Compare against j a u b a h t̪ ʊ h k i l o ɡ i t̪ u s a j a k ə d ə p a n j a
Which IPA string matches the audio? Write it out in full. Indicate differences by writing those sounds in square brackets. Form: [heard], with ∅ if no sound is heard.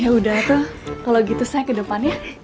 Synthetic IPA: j a u [d] a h t̪ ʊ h k [a] l o ɡ i t̪ u s a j a k ə d ə p a n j a